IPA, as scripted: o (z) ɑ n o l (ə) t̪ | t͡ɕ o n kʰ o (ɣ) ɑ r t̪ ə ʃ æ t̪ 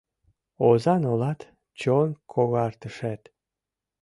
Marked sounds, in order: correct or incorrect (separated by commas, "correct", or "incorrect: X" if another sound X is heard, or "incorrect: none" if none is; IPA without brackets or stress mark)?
correct, incorrect: ɑ, correct